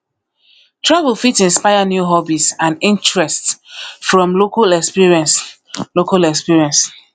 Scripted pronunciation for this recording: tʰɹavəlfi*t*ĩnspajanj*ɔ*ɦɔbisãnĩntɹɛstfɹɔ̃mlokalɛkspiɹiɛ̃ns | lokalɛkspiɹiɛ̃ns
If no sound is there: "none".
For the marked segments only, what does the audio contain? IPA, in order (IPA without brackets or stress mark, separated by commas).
t, u